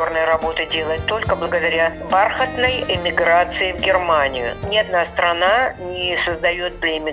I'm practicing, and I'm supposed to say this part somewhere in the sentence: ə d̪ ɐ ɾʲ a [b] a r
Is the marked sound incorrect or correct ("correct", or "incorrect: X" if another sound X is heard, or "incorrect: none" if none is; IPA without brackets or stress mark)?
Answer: correct